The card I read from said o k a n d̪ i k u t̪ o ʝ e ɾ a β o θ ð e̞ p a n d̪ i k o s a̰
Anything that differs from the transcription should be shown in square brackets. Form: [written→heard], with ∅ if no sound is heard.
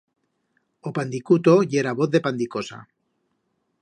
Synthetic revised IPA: o [k→p] a n d̪ i k u t̪ o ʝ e ɾ a β o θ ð e̞ p a n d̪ i k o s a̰